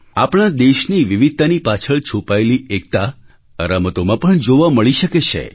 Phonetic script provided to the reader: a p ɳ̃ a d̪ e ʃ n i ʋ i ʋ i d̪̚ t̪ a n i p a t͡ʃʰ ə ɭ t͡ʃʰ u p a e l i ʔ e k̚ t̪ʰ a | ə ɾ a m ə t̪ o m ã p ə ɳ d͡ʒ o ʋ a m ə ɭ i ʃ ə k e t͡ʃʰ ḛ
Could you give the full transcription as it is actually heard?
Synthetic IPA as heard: a p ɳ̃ a d̪ e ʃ n i ʋ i ʋ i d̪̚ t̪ a n i p a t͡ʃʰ ə ɭ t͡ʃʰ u p a e l i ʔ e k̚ t̪ a | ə ɾ a m ə t̪ o m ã p ə ɳ d͡ʒ o ʋ a m ə ɭ i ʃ ə k e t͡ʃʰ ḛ